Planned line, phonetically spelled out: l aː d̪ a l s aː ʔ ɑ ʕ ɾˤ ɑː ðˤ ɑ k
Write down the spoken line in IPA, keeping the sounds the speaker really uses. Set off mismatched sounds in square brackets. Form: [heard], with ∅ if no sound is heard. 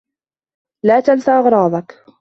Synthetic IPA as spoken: l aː [t̪] a l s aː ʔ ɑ [ɣ] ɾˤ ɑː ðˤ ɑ k